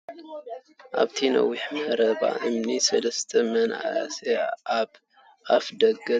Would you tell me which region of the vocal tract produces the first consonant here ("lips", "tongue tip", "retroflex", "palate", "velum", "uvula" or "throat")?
throat